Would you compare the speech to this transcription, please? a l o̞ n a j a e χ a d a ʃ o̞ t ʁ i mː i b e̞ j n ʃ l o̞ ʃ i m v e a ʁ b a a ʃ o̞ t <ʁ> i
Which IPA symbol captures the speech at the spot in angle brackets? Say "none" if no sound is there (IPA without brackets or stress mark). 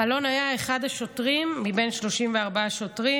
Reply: ʁ